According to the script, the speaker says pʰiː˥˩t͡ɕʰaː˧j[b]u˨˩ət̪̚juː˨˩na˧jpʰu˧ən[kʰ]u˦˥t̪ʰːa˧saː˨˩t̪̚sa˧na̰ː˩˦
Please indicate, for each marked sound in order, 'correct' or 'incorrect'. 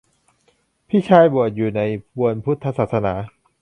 correct, incorrect: pʰ

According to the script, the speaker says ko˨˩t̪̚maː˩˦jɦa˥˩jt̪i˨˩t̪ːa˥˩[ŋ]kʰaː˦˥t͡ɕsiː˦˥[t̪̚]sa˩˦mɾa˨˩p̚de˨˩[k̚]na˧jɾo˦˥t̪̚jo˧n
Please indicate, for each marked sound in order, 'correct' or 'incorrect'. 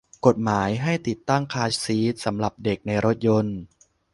correct, correct, correct

